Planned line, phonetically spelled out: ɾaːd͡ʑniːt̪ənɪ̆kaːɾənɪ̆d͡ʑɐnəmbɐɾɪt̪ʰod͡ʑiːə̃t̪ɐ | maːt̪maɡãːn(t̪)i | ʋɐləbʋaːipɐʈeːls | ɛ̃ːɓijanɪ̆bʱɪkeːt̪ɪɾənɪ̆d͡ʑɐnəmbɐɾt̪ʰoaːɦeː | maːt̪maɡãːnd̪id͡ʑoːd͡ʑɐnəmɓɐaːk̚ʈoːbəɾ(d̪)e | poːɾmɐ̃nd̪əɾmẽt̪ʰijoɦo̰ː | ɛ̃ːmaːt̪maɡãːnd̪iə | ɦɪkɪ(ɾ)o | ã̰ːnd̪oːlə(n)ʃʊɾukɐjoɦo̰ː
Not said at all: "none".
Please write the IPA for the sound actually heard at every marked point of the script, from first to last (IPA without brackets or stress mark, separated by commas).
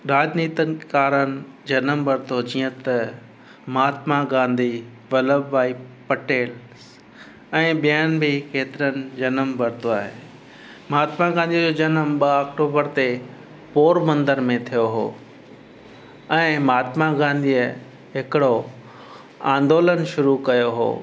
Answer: d̪, t̪, ɽ, n